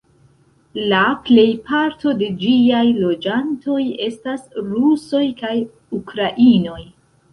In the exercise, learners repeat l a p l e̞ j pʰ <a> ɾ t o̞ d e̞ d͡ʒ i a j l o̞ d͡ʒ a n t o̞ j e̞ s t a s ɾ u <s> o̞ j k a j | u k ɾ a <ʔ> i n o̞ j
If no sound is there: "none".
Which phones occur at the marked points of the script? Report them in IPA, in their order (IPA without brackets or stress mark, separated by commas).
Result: a, s, ʔ